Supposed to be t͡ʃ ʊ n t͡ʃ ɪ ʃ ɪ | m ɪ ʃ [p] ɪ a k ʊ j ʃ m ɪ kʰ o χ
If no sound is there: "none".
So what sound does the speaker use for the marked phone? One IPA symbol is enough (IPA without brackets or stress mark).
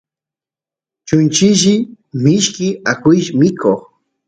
k